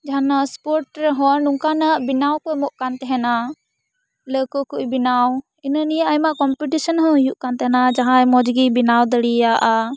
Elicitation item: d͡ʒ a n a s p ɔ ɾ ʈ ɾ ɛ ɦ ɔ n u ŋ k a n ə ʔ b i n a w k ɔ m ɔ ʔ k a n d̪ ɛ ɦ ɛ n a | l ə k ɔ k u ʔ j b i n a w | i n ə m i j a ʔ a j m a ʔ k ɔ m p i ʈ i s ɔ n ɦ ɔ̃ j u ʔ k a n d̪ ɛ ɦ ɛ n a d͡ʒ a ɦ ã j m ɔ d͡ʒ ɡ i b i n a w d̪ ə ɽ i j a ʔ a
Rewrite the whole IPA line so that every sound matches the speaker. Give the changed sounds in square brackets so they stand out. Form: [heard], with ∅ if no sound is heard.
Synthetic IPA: d͡ʒ a n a s p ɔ ɾ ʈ ɾ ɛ ɦ ɔ n u ŋ k a n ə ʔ b i n a w k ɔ m ɔ ʔ k a n [t̪] ɛ ɦ ɛ n a | l ə k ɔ k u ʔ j b i n a w | i n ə [n] i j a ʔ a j m a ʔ k ɔ m p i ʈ i s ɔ n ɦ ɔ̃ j u ʔ k a n [t̪] ɛ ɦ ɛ n a d͡ʒ a ɦ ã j m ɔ d͡ʒ ɡ i b i n a w d̪ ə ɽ i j a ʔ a